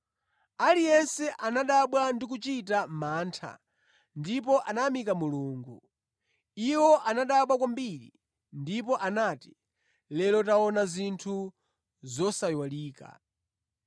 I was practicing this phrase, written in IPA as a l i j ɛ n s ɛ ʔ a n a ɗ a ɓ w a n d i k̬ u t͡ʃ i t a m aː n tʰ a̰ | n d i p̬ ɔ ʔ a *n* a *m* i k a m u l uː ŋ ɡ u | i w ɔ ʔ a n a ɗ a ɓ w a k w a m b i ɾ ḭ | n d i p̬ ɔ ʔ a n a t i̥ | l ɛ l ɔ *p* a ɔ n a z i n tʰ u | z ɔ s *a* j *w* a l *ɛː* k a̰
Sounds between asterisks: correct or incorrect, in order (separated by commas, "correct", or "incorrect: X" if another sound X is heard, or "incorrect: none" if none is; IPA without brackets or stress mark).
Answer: correct, correct, incorrect: t, correct, correct, incorrect: iː